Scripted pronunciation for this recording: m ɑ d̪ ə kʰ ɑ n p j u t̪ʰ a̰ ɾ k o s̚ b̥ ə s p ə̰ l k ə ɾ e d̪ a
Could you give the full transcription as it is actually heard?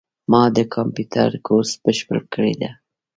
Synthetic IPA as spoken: m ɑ d̪ ə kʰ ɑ m p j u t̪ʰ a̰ ɾ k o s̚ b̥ ə ʃ p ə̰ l k ə ɽ e d̪ a